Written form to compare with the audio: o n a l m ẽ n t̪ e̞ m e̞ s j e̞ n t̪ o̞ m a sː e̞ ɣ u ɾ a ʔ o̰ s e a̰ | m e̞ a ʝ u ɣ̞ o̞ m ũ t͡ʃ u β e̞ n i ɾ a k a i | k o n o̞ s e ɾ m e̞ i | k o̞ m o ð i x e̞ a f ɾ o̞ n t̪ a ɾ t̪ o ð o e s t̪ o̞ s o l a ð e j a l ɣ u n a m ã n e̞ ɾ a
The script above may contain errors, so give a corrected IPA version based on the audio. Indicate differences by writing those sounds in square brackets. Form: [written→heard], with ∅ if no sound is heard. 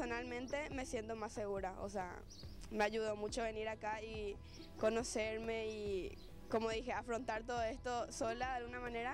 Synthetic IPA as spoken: o n a l m ẽ n t̪ e̞ m e̞ s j e̞ n t̪ o̞ m a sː e̞ ɣ u ɾ a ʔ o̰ s e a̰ | m e̞ a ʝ u [ɣ̞→ð̞] o̞ m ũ t͡ʃ [u→o] β e̞ n i ɾ a k a i | k o n o̞ s e ɾ m e̞ i | k o̞ m o ð i x e̞ a f ɾ o̞ n t̪ a ɾ t̪ o ð o e s t̪ o̞ s o l a ð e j a l ɣ u n a m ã n e̞ ɾ a